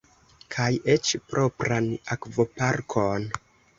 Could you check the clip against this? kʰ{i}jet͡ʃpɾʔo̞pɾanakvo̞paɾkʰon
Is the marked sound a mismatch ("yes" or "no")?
yes